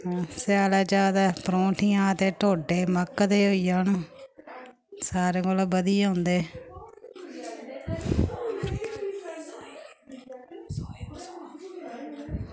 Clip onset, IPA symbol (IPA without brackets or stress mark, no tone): s